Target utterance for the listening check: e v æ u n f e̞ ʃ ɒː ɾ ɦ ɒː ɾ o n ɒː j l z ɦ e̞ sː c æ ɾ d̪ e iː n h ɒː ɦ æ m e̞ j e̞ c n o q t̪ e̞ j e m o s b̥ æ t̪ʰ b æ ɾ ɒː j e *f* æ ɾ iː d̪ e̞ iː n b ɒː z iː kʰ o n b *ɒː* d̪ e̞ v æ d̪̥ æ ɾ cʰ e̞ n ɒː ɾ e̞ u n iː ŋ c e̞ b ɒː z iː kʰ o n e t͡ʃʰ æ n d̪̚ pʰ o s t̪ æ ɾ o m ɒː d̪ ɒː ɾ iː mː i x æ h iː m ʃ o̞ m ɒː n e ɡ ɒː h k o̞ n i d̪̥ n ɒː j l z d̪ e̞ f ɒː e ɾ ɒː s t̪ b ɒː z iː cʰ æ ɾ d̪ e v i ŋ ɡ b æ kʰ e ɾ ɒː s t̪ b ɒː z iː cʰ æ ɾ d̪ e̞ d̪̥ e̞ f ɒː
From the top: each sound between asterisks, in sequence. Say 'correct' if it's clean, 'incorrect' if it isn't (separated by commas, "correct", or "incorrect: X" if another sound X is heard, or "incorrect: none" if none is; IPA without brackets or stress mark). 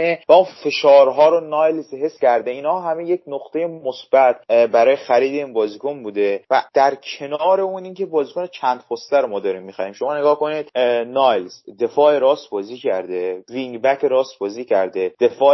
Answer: incorrect: x, incorrect: uː